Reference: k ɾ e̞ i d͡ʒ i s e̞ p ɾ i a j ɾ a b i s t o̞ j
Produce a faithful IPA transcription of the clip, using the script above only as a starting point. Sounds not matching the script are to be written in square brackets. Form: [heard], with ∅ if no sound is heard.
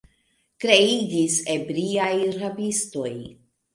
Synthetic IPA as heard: k ɾ e̞ i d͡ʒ i s e̞ [b] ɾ i a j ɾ a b i s t o̞ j